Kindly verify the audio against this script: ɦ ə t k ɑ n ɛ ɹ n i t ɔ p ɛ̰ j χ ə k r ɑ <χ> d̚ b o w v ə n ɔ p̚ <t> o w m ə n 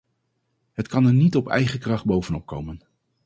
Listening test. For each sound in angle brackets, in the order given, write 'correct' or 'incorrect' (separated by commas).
correct, incorrect